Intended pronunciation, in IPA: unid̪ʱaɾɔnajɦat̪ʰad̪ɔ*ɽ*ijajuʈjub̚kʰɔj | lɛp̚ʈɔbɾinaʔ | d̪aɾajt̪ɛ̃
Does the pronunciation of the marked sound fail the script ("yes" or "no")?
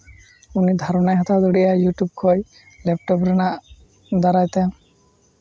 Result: no